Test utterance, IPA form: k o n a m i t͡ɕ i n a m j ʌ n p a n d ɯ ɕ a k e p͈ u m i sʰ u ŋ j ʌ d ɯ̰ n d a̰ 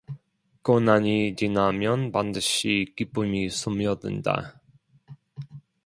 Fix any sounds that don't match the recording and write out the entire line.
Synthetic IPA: k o n a ɲ i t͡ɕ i n a m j ʌ n p a n d ɯ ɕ i k i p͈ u m i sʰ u m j ʌ d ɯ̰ n d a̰

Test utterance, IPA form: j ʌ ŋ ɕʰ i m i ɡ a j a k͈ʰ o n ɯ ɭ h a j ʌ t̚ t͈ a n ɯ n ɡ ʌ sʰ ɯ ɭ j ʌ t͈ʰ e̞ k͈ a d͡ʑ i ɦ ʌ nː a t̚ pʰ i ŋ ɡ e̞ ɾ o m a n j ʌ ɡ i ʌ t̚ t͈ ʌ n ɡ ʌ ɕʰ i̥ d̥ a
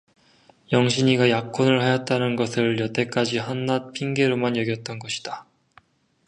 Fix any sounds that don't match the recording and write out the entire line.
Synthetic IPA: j ʌ ŋ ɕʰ i ɲ i ɡ a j a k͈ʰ o n ɯ ɭ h a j ʌ t̚ t͈ a n ɯ n ɡ ʌ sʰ ɯ ɭ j ʌ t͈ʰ e̞ k͈ a d͡ʑ i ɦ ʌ nː a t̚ pʰ i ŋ ɡ e̞ ɾ o m a n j ʌ ɡ j ʌ t̚ t͈ ʌ n ɡ ʌ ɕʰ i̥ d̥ a

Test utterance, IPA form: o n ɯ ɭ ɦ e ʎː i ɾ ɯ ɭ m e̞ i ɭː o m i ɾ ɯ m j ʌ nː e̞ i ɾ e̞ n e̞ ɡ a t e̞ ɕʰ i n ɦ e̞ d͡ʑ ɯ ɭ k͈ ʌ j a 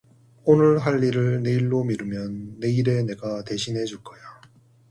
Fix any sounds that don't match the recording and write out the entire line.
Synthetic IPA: o n ɯ ɭ ɦ a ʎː i ɾ ɯ ɭ n e̞ i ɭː o m i ɾ ɯ m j ʌ nː e̞ i ɾ e̞ n e̞ ɡ a t e̞ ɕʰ i n ɦ e̞ d͡ʑ u ɭ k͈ ʌ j a

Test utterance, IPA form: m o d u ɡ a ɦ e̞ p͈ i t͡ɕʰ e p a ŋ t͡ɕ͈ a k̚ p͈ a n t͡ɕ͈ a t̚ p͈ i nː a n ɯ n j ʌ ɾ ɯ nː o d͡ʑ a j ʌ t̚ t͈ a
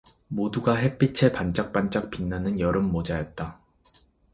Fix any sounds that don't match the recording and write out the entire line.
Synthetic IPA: m o d u ɡ a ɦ e̞ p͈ i t͡ɕʰ e p a n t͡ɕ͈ a k̚ p͈ a n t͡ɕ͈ a k̚ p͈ i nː a n ɯ n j ʌ ɾ ɯ mː o d͡ʑ a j ʌ t̚ t͈ a

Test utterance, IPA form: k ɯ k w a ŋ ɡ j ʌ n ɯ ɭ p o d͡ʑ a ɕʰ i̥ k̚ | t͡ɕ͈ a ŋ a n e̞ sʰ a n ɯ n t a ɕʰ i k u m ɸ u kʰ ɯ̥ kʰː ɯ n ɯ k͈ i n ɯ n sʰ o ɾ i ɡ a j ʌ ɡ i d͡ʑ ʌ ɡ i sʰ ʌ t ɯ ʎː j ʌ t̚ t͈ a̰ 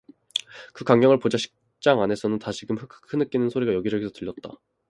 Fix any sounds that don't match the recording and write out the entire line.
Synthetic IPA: k ɯ k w a ŋ ɡ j ʌ ŋ ɯ ɭ p o d͡ʑ a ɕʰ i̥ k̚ | t͡ɕ͈ a ŋ a n e̞ sʰ ʌ n ɯ n t a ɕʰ i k ɯ m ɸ ɯ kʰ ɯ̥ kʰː ɯ n ɯ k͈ i n ɯ n sʰ o ɾ i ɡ a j ʌ ɡ i d͡ʑ ʌ ɡ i sʰ ʌ t ɯ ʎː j ʌ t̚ t͈ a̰

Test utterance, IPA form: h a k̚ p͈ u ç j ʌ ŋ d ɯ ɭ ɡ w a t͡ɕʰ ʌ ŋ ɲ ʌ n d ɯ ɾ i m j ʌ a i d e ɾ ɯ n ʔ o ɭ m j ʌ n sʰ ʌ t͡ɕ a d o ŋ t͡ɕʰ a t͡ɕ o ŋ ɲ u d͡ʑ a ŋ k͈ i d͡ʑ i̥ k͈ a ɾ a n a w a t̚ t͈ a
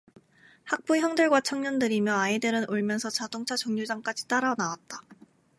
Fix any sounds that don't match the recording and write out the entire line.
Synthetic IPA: h a k̚ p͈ u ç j ʌ ŋ d ɯ ɭ ɡ w a t͡ɕʰ ʌ ŋ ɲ ʌ n d ɯ ɾ i m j ʌ a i d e ɾ ɯ n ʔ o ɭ m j ʌ n sʰ ʌ t͡ɕ a d o ŋ t͡ɕʰ a t͡ɕ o ŋ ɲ u d͡ʑ a ŋ k͈ a d͡ʑ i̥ t͈ a ɾ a n a w a t̚ t͈ a

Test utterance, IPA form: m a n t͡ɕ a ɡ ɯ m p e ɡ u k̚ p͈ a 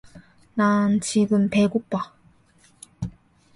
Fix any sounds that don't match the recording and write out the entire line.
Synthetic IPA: n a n t͡ɕ i ɡ ɯ m p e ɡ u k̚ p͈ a

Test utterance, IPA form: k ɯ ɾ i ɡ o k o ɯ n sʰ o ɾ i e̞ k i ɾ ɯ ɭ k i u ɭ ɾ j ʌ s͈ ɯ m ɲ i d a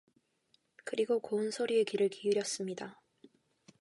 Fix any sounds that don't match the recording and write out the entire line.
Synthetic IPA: k ɯ ɾ i ɡ o k o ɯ n sʰ o ɾ i e̞ k i ɾ ɯ ɭ k i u ɾ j ʌ s͈ ɯ m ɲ i d a

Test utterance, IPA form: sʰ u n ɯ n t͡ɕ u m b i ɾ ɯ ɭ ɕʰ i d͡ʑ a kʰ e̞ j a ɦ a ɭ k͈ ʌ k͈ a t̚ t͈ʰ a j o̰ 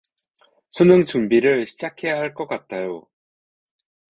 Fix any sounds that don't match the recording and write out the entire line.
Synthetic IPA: sʰ u n ɯ ŋ t͡ɕ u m b i ɾ ɯ ɭ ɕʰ i d͡ʑ a kʰ e̞ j a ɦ a ɭ k͈ ʌ k͈ a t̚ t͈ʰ a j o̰

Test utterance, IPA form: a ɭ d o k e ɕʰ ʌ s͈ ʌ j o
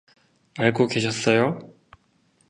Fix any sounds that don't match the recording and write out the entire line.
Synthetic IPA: a ɭ ɡ o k e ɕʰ ʌ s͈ ʌ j o

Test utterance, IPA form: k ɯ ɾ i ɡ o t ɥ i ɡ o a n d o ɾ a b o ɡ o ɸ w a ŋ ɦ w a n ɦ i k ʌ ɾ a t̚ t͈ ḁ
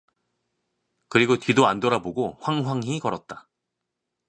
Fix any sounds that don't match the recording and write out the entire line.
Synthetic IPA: k ɯ ɾ i ɡ o t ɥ i d o a n d o ɾ a b o ɡ o ɸ w a ŋ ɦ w a ŋ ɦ i k ʌ ɾ ʌ t̚ t͈ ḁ

